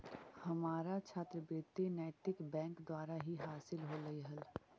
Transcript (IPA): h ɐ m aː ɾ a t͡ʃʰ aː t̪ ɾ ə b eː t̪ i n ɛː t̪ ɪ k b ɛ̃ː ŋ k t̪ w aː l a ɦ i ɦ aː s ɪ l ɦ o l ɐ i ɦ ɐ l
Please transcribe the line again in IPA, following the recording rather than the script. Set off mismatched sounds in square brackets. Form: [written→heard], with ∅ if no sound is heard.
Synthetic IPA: h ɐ m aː ɾ a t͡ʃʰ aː t̪ ɾ ə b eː t̪ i n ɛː t̪ ɪ k b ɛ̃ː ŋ k [t̪→d̪] w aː [l→ɾ] a ɦ i ɦ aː s ɪ l ɦ o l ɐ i ɦ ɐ l